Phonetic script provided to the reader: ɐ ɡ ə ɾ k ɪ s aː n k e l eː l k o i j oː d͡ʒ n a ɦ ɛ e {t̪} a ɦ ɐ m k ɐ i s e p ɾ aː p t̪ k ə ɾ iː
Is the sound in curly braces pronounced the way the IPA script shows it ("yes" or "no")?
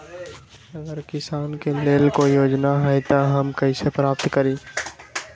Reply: yes